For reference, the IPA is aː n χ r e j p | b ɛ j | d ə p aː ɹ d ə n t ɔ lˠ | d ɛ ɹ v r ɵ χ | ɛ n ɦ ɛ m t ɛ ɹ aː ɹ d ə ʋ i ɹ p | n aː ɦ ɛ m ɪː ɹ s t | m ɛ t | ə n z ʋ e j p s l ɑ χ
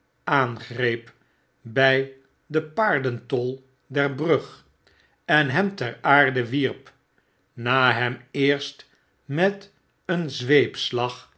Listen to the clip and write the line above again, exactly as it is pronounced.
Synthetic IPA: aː n χ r e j p | b ɛ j | d ə p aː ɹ d ə n t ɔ lˠ | d ɛ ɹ b r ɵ χ | ɛ n ɦ ɛ m t ɛ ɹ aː ɹ d ə ʋ i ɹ p | n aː ɦ ɛ m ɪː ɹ s t | m ɛ t | ə n z ʋ e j p s l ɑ χ